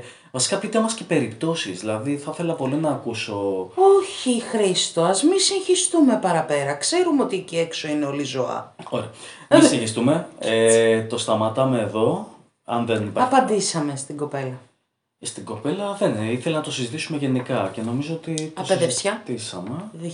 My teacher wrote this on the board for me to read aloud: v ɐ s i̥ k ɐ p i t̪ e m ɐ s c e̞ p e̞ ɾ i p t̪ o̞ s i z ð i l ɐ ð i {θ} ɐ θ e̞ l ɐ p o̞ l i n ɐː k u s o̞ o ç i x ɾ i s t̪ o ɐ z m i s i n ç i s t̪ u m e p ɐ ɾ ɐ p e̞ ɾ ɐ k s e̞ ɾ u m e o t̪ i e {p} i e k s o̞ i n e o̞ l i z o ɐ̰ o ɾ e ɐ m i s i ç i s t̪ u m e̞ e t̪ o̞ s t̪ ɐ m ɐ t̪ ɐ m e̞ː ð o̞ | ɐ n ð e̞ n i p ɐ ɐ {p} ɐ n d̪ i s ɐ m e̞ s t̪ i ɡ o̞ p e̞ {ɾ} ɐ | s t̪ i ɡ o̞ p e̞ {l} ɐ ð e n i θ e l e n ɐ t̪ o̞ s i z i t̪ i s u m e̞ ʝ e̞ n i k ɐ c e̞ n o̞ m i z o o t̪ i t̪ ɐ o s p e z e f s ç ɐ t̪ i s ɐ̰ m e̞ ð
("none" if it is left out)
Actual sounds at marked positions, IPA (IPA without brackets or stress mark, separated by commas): θ, c, p, l, l